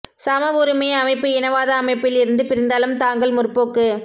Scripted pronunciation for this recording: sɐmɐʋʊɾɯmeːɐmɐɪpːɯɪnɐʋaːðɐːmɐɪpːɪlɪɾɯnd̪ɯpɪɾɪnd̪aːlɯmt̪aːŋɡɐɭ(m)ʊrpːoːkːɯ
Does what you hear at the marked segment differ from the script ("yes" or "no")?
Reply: no